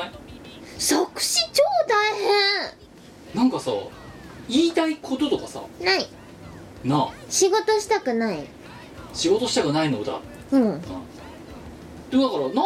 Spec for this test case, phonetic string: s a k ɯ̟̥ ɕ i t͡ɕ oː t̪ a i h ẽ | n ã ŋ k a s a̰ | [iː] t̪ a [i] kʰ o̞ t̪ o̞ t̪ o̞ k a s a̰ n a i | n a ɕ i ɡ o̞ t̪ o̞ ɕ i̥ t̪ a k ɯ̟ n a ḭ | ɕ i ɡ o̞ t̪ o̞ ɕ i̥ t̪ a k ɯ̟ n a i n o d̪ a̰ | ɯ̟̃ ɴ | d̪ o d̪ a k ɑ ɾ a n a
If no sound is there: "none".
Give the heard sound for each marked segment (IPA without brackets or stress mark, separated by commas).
iː, i